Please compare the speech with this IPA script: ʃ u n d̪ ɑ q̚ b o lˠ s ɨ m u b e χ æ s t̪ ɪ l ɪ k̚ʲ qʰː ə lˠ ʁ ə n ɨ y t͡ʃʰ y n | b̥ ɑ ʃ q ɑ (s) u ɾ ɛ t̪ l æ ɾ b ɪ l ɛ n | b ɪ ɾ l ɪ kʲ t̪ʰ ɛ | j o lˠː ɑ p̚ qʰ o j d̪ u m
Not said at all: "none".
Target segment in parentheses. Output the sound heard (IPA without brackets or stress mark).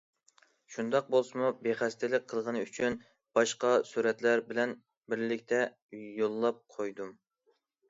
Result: s